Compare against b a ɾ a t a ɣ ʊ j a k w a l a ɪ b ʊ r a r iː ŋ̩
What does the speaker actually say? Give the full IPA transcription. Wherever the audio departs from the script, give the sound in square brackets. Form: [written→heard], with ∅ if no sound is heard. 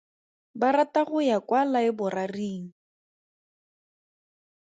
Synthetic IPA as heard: b a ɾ a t a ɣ ʊ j a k w a l a ɪ b ʊ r a r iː ŋ̩